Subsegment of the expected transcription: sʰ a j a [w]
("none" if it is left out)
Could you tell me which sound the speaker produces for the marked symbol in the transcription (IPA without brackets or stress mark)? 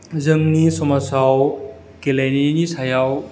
w